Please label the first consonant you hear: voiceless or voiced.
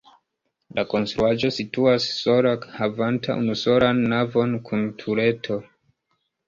voiced